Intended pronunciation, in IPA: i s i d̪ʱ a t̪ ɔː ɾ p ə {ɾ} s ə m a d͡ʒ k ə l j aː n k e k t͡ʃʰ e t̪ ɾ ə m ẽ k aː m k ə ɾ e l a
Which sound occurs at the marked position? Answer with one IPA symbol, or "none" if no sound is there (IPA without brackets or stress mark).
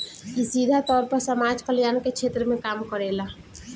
ɾ